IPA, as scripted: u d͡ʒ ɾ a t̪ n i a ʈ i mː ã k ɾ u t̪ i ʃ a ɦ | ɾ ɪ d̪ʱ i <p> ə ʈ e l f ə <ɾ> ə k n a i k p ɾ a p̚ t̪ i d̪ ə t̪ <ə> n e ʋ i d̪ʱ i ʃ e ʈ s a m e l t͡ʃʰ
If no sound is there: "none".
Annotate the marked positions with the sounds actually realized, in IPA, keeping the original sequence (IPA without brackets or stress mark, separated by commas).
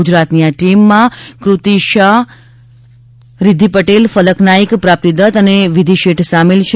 p, l, ə